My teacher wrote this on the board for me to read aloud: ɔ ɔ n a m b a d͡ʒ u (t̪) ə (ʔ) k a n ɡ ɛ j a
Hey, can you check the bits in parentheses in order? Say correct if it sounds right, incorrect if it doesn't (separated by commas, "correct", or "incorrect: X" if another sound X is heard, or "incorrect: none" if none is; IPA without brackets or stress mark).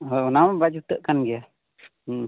correct, correct